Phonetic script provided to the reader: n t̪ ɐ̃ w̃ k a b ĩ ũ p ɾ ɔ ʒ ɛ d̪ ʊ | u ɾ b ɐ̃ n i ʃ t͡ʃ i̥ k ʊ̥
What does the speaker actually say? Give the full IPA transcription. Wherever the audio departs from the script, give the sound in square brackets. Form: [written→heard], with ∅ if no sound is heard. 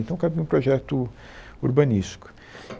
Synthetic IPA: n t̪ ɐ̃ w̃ k a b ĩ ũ p ɾ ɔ ʒ ɛ [d̪→t̪] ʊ | u ɾ b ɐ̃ n i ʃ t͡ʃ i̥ k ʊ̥